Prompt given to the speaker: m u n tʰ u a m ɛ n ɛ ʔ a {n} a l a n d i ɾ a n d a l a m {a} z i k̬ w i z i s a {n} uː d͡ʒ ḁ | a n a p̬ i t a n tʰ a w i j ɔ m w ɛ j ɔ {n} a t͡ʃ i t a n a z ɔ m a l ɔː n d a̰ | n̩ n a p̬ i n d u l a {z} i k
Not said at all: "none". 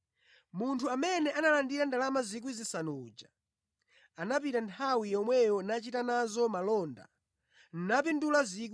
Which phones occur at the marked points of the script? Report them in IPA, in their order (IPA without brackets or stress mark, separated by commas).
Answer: n, a, n, n, z